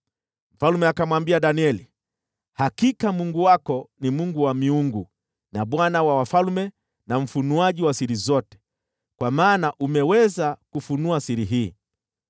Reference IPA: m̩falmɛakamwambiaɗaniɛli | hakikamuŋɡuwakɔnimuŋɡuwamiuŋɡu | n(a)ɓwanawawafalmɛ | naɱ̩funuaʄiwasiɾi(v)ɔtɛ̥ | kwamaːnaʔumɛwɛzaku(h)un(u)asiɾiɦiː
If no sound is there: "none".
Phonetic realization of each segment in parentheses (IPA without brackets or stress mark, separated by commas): a, z, f, u